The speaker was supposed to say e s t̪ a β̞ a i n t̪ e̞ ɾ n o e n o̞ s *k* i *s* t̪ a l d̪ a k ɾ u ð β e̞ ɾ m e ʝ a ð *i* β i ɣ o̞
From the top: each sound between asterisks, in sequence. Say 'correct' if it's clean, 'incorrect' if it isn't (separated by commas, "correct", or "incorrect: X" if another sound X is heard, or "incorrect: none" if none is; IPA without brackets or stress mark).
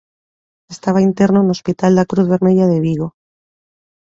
incorrect: p, incorrect: none, incorrect: e